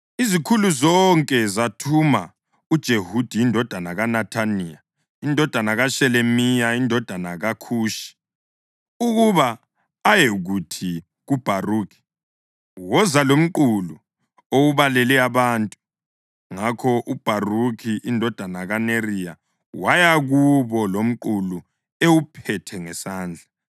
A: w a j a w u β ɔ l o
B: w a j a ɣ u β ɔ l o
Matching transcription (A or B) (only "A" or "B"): B